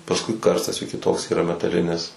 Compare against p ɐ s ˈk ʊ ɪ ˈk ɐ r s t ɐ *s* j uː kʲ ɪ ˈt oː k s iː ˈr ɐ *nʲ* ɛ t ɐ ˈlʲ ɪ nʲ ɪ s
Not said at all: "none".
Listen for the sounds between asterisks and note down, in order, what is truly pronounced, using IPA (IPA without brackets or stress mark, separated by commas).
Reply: s, mʲ